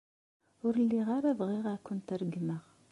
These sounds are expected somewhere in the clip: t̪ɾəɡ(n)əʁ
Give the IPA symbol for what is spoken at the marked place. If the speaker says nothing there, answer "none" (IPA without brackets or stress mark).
m